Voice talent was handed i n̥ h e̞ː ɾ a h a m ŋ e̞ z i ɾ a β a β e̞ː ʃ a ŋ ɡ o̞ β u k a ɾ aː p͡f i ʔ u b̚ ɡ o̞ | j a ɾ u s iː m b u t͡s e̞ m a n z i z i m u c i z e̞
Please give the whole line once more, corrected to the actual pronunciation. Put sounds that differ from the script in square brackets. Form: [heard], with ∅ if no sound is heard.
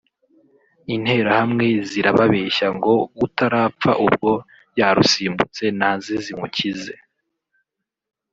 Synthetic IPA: i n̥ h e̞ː ɾ a h a m ŋ e̞ z i ɾ a β a β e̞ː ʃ a ŋ ɡ o̞ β u [t] a ɾ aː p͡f [a] ʔ u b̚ ɡ o̞ | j a ɾ u s iː m b u t͡s e̞ [n] a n z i z i m u c i z e̞